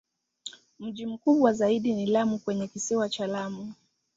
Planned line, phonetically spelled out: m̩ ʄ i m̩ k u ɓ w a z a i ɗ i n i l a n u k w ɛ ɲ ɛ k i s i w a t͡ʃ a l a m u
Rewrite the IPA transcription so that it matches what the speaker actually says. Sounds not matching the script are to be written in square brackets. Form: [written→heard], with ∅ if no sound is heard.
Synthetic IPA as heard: m̩ ʄ i m̩ k u ɓ w a z a i ɗ i n i l a [n→m] u k w ɛ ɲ ɛ k i s i w a t͡ʃ a l a m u